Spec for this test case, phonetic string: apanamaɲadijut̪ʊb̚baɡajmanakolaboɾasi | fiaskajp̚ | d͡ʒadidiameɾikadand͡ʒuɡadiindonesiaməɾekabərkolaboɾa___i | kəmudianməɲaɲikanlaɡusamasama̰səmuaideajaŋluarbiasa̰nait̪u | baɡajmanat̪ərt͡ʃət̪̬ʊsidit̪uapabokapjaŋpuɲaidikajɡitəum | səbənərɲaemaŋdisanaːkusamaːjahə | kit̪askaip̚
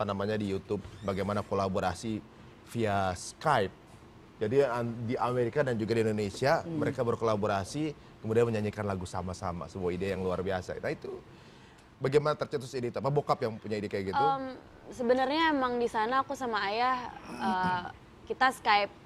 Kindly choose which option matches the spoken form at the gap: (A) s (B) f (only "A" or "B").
A